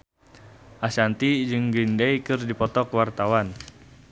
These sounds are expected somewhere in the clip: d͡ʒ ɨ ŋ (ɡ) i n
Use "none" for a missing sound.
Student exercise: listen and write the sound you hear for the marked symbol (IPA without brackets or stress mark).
ɡ